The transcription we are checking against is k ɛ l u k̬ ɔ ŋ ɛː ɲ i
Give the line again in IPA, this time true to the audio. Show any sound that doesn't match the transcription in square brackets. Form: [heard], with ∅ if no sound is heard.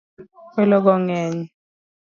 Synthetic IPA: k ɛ l [ɔ] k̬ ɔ ŋ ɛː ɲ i